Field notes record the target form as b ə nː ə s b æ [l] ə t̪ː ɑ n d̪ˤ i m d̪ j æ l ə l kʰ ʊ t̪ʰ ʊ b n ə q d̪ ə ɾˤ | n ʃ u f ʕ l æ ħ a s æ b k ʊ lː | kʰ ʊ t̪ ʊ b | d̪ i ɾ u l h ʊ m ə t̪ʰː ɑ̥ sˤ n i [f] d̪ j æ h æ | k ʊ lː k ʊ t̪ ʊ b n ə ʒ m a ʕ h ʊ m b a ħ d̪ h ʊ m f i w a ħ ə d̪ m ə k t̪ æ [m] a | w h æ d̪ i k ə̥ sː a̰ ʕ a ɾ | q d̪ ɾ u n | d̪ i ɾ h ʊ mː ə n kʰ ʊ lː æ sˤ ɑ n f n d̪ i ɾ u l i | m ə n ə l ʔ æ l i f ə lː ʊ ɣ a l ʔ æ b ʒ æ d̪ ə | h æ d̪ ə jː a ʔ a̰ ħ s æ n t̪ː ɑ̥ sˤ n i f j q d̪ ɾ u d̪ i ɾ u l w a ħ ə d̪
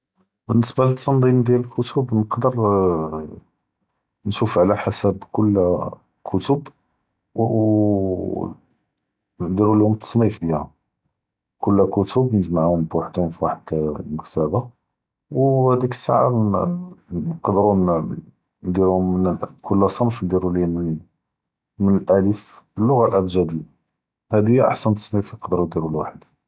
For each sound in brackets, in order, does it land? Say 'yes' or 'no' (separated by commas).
yes, yes, no